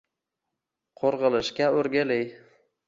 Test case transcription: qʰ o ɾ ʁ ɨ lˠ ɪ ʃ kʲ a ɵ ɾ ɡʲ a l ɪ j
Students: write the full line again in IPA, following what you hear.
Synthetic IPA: qʰ o ɾ ʁ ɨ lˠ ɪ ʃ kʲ a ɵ ɾ ɡʲ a l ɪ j